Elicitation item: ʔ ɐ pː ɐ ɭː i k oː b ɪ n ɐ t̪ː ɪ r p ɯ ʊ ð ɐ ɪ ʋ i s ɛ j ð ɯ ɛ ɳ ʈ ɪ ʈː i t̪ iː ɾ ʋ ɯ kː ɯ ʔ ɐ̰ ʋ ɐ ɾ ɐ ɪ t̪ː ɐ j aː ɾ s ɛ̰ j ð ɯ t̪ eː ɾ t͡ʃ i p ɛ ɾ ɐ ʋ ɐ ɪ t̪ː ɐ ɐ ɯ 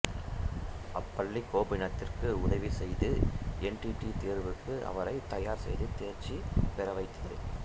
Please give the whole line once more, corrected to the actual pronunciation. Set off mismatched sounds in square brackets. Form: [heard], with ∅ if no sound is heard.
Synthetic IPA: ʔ ɐ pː ɐ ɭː i k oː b ɪ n ɐ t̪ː ɪ r [k] ɯ ʊ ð ɐ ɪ ʋ i s ɛ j ð ɯ ɛ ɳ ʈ [i] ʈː i t̪ iː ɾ ʋ ɯ kː ɯ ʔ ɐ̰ ʋ ɐ ɾ ɐ ɪ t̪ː ɐ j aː ɾ s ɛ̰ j ð ɯ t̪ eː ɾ t͡ʃ i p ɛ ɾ ɐ ʋ ɐ ɪ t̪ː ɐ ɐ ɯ

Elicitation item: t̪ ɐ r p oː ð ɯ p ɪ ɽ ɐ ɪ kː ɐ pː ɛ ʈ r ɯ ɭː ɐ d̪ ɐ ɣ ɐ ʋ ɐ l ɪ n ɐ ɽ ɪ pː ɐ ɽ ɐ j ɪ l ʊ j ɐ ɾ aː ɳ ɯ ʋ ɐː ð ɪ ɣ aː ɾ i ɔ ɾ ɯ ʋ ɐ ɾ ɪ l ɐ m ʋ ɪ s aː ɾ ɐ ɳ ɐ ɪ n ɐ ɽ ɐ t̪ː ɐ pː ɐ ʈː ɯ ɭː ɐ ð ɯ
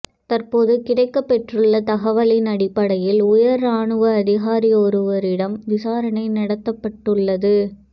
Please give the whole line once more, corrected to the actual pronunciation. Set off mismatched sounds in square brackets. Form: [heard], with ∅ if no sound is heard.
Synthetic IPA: t̪ ɐ r p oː ð ɯ [k] ɪ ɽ ɐ ɪ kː ɐ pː ɛ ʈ r ɯ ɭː ɐ [t̪] ɐ ɣ ɐ ʋ ɐ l ɪ n ɐ ɽ ɪ pː ɐ ɽ ɐ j ɪ l ʊ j ɐ ɾ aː ɳ ɯ ʋ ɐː ð ɪ ɣ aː ɾ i ɔ ɾ ɯ ʋ ɐ ɾ ɪ [ɽ] ɐ m ʋ ɪ s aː ɾ ɐ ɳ ɐ ɪ n ɐ ɽ ɐ t̪ː ɐ pː ɐ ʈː ɯ ɭː ɐ ð ɯ

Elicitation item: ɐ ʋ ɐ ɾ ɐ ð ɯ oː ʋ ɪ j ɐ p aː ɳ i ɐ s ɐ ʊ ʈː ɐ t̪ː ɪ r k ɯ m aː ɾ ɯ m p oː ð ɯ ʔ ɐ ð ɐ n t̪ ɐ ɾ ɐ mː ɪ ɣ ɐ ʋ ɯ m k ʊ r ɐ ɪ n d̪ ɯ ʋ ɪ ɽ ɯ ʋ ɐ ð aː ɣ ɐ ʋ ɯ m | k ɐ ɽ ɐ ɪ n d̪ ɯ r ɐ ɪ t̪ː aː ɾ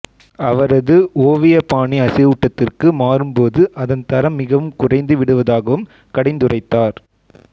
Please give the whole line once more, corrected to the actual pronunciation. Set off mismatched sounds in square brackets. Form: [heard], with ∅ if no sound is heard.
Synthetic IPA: ɐ ʋ ɐ ɾ ɐ ð ɯ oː ʋ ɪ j ɐ p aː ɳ i ɐ s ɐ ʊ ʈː ɐ t̪ː ɪ r k ɯ m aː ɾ ɯ m p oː ð ɯ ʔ ɐ ð ɐ n t̪ ɐ ɾ ɐ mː ɪ ɣ ɐ ʋ ɯ m k ʊ r ɐ ɪ n d̪ ɯ ʋ ɪ ɽ ɯ ʋ ɐ ð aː ɣ ɐ ʋ ɯ m | k ɐ ɽ ɐ ɪ n d̪ ɯ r ɐ ɪ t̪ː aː ɾ

